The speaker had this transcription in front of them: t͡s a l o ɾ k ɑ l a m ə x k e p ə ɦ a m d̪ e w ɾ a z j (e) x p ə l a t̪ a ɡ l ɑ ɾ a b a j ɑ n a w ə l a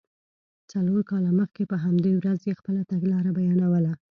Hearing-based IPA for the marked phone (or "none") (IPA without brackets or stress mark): e